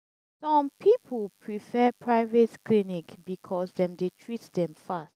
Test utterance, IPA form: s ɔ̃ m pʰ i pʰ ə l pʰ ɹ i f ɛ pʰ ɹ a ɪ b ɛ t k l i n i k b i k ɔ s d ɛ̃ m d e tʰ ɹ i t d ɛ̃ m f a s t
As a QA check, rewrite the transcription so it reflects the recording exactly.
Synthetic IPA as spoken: s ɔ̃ m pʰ i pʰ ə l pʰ ɹ i f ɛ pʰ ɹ a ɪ v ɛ t k l i n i k b i kʰ ɔ s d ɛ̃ m d e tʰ ɹ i t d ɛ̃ m f a s t

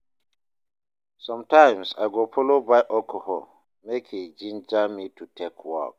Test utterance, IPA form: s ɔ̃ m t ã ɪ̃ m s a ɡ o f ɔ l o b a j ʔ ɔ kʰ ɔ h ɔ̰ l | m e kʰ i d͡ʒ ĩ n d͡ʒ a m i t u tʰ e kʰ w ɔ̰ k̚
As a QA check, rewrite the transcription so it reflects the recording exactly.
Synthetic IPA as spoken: s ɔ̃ m t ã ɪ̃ m s a ɡ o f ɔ l o b a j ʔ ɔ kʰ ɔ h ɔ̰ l | m e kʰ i d͡ʒ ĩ n d͡ʒ a m i t u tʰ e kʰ w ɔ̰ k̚

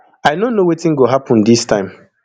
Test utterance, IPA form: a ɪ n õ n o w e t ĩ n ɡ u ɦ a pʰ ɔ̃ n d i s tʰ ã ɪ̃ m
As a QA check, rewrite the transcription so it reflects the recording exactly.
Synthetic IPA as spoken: a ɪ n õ n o w e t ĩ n ɡ o ɦ a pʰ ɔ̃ n d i s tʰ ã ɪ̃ m

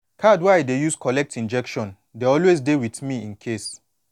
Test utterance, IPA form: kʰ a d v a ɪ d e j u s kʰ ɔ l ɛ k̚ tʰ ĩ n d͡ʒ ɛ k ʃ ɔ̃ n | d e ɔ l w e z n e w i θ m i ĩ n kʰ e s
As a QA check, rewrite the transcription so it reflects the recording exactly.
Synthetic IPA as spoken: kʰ a d w a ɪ d e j u s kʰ ɔ l ɛ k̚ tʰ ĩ n d͡ʒ ɛ k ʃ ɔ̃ n | d e ɔ l w e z d e w i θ m i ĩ n kʰ e s

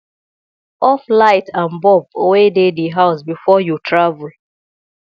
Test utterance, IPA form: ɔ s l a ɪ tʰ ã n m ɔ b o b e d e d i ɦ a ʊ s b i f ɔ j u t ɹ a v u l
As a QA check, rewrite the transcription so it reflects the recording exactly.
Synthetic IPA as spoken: ɔ f l a ɪ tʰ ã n b ɔ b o w e d e d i ɦ a ʊ s b i f ɔ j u t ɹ a v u l

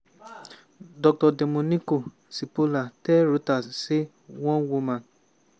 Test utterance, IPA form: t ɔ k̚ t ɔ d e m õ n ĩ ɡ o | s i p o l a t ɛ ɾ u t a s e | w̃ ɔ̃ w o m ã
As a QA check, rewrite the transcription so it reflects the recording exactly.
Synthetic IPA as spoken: d ɔ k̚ t ɔ d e m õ n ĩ k o | s i p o l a t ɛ ɾ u t a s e | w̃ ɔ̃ w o m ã

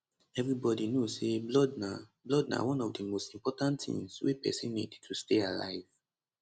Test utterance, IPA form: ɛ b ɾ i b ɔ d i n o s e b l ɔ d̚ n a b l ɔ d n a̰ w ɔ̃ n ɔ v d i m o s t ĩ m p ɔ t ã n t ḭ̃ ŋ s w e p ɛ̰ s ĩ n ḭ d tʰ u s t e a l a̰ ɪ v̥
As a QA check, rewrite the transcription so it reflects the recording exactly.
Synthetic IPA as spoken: ɛ v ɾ i b ɔ d i n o s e b l ɔ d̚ n a b l ɔ d n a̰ w ɔ̃ n ɔ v d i m o s t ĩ m p ɔ t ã n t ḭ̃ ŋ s w e p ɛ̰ s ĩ n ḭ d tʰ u s t e a l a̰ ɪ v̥

